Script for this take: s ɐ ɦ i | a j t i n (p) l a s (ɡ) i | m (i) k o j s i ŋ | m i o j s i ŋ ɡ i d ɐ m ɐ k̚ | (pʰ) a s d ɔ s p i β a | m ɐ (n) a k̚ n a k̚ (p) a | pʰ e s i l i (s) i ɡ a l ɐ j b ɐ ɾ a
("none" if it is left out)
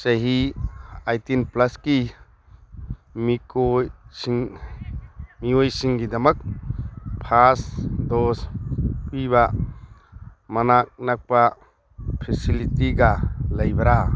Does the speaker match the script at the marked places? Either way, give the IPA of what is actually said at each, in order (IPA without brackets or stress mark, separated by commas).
p, k, i, pʰ, n, p, t